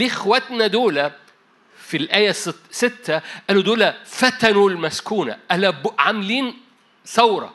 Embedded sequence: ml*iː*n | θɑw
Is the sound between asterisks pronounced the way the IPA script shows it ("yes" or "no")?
yes